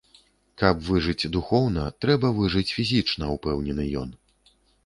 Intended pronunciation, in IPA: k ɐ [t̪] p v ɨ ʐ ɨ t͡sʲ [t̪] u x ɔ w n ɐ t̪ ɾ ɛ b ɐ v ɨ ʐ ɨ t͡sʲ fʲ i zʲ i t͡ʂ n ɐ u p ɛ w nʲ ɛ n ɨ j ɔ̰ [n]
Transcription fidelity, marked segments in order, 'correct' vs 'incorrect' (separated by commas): incorrect, incorrect, correct